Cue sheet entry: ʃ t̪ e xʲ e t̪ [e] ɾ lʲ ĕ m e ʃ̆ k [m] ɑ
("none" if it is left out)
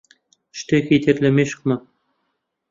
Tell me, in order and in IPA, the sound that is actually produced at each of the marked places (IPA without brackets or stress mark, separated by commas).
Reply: e, m